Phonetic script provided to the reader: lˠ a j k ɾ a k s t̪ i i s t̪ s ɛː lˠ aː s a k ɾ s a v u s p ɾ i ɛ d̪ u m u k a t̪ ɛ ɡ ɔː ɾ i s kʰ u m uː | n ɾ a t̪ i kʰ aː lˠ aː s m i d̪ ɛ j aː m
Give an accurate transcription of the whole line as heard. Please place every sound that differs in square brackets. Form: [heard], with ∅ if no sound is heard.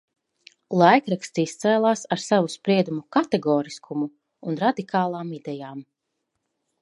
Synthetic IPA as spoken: lˠ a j k ɾ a k s t̪ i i s t̪ s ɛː lˠ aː s a [∅] ɾ s a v u s p ɾ i ɛ d̪ u m u k a t̪ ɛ ɡ ɔː ɾ i s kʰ u m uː | n ɾ a [d̪] i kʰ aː lˠ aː [∅] m i d̪ ɛ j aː m